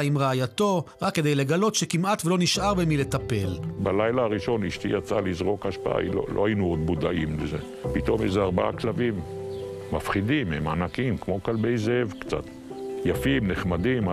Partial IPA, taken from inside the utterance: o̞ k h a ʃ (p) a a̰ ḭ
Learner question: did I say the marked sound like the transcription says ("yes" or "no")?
yes